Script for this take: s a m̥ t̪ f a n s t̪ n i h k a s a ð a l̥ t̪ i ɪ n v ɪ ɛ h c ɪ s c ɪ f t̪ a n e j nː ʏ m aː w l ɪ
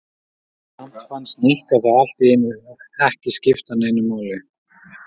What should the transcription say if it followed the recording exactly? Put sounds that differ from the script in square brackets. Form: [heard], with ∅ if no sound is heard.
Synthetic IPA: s a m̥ t̪ f a n s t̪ n i h k a [θ] a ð a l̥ t̪ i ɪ n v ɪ ɛ h c ɪ s c ɪ f t̪ a n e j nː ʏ m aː w l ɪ